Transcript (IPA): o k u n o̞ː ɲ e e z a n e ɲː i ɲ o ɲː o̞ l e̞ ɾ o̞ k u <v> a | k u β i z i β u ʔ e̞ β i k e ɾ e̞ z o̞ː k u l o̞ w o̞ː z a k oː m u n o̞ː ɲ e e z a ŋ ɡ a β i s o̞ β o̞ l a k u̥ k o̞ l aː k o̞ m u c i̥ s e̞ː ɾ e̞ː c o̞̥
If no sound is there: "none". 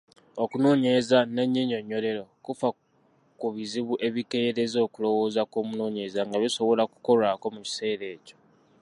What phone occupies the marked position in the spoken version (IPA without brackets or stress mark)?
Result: f